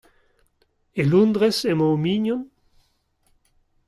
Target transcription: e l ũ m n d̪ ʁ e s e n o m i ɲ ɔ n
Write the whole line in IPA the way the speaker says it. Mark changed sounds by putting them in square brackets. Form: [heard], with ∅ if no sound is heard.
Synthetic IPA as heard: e l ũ [∅] n d̪ ʁ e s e [m] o m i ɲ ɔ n